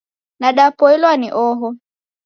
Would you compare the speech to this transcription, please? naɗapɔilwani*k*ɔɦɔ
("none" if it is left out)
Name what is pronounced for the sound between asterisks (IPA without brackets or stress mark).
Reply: ʔ